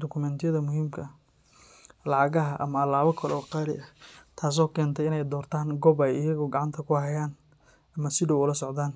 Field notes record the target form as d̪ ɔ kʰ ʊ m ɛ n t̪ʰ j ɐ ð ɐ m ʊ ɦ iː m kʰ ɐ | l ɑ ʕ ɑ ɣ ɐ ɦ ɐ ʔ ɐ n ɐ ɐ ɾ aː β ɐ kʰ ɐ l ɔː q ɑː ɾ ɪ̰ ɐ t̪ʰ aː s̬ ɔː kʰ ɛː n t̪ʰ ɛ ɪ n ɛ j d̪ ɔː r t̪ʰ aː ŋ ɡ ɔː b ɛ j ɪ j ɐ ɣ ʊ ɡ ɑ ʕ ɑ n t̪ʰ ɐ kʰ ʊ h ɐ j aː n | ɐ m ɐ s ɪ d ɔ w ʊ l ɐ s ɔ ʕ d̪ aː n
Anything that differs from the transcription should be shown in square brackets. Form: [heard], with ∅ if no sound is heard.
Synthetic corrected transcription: d̪ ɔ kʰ ʊ m ɛ n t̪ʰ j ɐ ð ɐ m ʊ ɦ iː m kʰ ɐ | l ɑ ʕ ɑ ɣ ɐ ɦ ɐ ʔ ɐ [m] ɐ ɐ [l] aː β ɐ kʰ ɐ l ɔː q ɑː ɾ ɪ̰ ɐ t̪ʰ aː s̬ ɔː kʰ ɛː n t̪ʰ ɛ ɪ n ɛ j d̪ ɔː r t̪ʰ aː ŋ ɡ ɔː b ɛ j ɪ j ɐ ɣ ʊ ɡ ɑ ʕ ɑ n t̪ʰ ɐ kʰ ʊ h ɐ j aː n | ɐ m ɐ s ɪ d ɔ w ʊ l ɐ s ɔ ʕ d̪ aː n